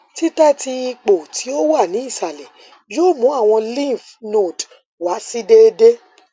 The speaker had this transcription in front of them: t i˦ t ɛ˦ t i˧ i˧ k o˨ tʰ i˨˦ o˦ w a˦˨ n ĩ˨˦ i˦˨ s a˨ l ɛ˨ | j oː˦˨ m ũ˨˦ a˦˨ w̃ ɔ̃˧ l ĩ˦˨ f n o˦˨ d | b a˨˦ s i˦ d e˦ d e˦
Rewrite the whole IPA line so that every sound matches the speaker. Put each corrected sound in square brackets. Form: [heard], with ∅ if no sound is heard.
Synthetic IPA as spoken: t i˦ t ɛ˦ t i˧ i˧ [k͡p] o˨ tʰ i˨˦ o˦ w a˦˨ n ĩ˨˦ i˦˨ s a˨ l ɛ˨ | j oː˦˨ m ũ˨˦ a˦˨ w̃ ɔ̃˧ l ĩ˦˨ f n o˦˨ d | [w] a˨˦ s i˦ d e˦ d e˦